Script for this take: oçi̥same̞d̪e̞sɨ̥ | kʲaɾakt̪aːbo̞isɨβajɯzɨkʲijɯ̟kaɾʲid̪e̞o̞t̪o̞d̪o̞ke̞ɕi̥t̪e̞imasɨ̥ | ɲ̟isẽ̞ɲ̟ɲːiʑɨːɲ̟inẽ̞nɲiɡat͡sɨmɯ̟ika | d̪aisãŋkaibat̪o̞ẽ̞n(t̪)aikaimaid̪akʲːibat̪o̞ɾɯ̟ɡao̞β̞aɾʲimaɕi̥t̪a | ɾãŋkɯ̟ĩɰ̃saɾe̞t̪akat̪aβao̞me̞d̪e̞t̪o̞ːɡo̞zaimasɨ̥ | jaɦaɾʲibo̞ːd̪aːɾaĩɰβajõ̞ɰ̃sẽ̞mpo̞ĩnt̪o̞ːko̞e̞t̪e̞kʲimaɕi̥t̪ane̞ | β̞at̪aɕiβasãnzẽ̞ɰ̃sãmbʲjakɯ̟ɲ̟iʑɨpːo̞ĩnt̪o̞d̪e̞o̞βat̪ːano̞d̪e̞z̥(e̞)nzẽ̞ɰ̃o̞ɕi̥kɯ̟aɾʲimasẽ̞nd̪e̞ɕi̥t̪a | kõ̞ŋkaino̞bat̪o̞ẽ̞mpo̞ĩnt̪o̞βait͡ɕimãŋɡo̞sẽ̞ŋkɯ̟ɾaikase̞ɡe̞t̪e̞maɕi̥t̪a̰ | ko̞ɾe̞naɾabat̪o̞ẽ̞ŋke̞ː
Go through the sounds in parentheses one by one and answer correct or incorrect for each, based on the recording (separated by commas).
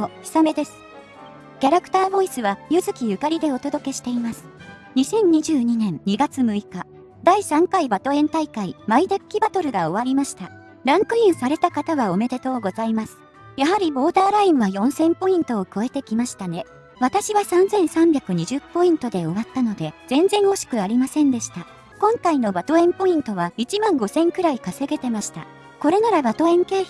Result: correct, incorrect